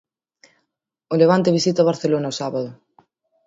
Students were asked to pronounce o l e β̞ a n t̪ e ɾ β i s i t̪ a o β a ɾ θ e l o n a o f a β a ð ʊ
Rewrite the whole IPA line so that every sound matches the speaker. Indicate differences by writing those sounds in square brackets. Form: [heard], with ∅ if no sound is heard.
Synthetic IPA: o l e β̞ a n t̪ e [∅] β i s i t̪ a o β a ɾ θ e l o n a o [s] a β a ð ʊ